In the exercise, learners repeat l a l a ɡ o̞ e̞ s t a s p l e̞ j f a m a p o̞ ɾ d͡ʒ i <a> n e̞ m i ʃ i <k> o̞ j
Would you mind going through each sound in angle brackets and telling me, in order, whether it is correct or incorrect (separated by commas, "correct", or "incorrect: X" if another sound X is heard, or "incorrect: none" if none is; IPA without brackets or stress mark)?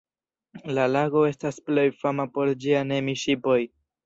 correct, incorrect: p